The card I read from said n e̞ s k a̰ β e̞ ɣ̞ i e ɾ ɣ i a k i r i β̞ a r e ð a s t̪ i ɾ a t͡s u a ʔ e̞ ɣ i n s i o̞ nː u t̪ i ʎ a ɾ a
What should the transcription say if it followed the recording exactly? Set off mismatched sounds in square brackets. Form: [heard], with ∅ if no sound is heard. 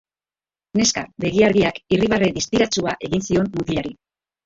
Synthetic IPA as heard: n e̞ s k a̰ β e̞ ɣ̞ i [a] ɾ ɣ i a k i r i β̞ a r e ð [i] s t̪ i ɾ a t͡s u a ʔ e̞ ɣ i n s i o̞ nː u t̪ i ʎ a ɾ [i]